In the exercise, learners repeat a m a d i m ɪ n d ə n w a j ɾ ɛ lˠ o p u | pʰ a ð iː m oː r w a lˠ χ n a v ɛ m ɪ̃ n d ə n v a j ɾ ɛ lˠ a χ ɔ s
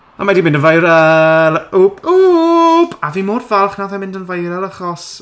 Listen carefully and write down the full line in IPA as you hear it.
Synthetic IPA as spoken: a m a d i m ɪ n d ə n v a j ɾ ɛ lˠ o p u | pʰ a v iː m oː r v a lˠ χ n a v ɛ m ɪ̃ n d ə n v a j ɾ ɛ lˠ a χ ɔ s